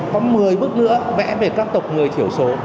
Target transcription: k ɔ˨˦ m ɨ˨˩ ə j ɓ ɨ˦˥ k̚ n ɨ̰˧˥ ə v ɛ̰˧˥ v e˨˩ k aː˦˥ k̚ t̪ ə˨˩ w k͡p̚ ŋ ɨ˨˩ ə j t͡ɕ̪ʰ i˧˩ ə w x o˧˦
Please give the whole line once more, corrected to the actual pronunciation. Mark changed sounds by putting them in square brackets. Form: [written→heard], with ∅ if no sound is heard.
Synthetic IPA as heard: k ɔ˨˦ m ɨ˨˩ ə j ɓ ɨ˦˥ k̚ n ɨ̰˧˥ ə v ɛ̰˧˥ v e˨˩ k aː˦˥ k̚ t̪ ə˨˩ w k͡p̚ ŋ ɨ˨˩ ə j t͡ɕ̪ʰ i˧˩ ə w [x→s] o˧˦